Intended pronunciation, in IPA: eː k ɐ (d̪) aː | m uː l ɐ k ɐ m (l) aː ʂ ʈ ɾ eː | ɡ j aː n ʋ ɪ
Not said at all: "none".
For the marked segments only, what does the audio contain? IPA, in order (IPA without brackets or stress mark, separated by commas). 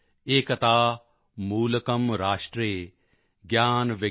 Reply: t̪, ɾ